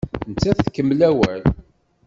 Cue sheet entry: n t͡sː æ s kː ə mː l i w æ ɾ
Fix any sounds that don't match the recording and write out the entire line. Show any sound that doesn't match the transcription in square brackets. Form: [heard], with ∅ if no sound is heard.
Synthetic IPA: n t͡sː æ [θ] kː ə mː l [æ] w æ [l]